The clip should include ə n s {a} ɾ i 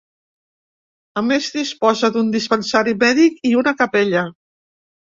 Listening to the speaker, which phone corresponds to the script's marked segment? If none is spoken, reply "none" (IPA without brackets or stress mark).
a